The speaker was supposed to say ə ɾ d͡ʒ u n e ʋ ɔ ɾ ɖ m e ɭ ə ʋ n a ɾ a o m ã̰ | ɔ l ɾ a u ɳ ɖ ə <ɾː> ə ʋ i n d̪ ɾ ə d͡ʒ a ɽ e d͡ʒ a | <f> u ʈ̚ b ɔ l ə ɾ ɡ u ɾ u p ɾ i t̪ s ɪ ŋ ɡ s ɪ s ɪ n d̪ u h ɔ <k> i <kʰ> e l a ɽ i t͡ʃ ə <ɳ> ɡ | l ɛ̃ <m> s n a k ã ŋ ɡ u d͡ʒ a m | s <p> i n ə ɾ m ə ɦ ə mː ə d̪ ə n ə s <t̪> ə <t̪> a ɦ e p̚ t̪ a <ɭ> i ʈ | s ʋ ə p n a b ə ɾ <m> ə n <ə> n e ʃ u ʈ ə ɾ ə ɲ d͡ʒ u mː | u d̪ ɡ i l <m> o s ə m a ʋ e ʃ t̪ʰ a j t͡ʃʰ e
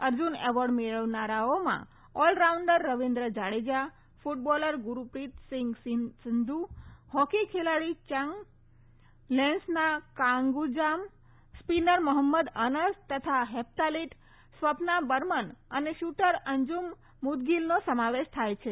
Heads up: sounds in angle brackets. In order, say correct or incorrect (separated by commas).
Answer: correct, correct, correct, correct, incorrect, incorrect, correct, correct, incorrect, incorrect, correct, correct, incorrect